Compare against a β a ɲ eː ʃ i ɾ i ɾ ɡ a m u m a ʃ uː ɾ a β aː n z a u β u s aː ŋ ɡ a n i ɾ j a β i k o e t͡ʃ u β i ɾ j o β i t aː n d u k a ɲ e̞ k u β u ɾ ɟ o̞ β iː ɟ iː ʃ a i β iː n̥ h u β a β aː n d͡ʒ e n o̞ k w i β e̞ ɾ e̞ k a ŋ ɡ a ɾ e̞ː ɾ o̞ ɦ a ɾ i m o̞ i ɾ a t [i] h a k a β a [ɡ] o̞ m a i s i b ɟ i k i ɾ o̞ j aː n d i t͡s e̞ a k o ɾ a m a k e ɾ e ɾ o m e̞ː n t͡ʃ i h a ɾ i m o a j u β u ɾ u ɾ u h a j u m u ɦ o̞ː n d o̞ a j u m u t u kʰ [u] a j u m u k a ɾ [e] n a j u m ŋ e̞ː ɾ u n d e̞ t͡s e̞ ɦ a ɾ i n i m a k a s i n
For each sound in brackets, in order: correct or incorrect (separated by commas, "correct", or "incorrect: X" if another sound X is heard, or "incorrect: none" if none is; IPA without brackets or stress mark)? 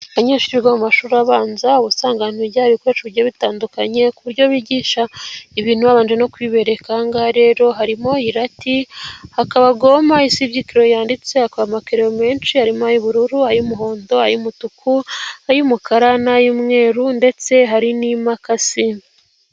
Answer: correct, correct, correct, incorrect: a